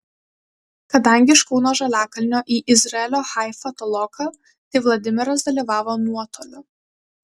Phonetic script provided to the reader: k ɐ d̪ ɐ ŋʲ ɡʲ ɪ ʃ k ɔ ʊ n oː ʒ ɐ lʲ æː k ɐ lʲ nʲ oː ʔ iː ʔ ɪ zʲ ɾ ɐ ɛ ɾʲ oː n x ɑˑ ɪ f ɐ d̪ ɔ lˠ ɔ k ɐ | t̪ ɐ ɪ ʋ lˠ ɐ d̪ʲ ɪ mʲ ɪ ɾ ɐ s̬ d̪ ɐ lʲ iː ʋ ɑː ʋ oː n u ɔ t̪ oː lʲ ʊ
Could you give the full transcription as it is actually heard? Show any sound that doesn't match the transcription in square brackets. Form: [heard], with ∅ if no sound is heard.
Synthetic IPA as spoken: k ɐ d̪ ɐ ŋʲ ɡʲ ɪ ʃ k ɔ ʊ n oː ʒ ɐ lʲ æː k ɐ lʲ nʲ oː ʔ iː ʔ ɪ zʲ ɾ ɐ ɛ [lʲ] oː [∅] x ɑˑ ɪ f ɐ [t̪] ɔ lˠ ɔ k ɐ | t̪ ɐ ɪ ʋ lˠ ɐ d̪ʲ ɪ mʲ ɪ ɾ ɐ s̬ d̪ ɐ lʲ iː ʋ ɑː ʋ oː n u ɔ t̪ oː lʲ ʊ